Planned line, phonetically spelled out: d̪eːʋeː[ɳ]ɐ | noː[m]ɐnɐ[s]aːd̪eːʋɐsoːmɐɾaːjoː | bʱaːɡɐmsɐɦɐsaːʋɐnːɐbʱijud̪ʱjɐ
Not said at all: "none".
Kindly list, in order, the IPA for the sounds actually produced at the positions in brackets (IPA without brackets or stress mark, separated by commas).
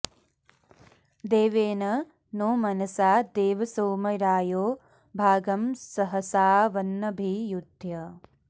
n, m, s